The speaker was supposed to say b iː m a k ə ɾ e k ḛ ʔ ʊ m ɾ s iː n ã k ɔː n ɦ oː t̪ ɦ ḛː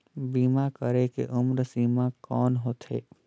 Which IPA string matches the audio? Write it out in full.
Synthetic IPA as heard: b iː m a k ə ɾ e k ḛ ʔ ʊ m ɾ s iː m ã k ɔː n ɦ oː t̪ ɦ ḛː